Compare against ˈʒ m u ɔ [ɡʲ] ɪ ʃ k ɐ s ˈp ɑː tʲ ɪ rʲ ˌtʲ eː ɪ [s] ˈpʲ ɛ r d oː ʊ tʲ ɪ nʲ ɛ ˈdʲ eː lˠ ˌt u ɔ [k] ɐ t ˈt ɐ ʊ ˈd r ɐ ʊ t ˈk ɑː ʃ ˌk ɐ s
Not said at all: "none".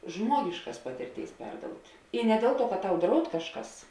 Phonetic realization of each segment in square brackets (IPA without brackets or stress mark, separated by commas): ɡʲ, s, k